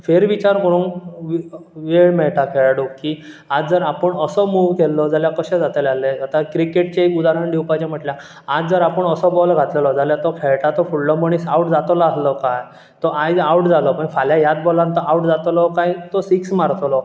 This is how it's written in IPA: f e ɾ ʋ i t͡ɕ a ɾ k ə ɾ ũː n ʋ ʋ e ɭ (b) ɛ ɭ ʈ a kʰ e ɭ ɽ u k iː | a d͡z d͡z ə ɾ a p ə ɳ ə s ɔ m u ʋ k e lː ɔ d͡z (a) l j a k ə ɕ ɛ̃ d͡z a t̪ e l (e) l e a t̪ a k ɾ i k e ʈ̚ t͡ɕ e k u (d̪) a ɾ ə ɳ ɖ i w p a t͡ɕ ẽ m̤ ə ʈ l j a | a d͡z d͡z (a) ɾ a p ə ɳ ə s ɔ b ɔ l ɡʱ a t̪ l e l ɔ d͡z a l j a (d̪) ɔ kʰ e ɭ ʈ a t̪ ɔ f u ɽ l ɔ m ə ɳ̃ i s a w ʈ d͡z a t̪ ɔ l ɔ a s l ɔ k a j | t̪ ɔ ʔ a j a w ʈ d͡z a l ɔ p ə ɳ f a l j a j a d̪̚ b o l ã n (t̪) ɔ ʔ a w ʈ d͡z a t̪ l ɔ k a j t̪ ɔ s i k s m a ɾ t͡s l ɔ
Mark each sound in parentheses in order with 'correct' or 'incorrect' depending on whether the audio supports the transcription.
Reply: incorrect, correct, incorrect, correct, incorrect, incorrect, correct

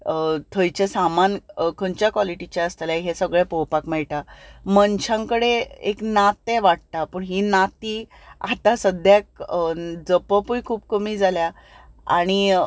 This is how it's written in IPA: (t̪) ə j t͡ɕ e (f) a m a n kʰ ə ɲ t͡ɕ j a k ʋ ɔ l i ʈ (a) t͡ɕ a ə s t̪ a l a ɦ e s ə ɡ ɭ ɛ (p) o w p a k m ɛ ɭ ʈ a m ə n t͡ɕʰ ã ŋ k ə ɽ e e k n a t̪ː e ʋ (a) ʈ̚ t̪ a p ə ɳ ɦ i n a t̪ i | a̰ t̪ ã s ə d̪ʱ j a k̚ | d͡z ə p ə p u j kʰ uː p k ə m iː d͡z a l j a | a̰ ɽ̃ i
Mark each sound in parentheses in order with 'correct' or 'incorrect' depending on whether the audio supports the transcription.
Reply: incorrect, incorrect, incorrect, correct, correct

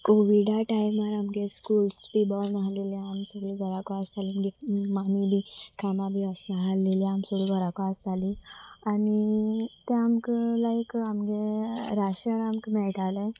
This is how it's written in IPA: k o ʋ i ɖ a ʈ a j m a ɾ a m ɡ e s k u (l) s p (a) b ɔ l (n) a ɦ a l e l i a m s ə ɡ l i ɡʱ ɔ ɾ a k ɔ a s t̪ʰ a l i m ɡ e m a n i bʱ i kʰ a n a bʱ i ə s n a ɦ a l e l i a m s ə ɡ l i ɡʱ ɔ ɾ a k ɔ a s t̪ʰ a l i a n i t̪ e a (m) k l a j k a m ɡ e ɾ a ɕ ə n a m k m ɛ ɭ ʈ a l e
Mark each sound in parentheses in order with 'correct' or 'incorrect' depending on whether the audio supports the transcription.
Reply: correct, incorrect, correct, correct

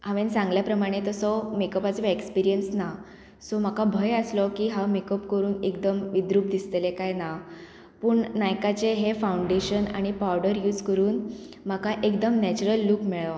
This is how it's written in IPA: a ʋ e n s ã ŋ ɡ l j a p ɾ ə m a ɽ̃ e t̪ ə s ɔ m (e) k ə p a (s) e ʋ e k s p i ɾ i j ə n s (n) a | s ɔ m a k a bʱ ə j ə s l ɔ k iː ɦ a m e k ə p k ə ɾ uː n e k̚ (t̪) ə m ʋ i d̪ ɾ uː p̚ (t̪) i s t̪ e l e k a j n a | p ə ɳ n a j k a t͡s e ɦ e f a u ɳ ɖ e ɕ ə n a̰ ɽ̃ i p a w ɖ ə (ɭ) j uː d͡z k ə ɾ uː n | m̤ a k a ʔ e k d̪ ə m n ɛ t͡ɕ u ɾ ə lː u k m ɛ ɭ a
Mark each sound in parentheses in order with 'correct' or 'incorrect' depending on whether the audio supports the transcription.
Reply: correct, incorrect, correct, incorrect, incorrect, incorrect

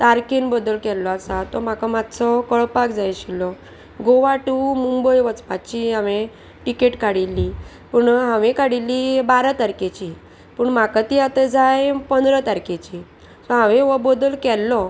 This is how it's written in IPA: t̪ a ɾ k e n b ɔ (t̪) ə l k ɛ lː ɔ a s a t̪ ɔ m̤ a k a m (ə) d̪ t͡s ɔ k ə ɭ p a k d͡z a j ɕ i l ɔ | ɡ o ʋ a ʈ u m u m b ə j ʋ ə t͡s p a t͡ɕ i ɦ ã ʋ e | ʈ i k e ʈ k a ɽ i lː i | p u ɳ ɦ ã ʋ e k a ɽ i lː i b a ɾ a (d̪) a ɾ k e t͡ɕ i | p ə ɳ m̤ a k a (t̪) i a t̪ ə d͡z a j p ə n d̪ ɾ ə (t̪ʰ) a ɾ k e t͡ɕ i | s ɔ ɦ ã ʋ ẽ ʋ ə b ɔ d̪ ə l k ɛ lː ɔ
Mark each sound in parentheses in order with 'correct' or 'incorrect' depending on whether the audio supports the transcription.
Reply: incorrect, incorrect, incorrect, correct, incorrect

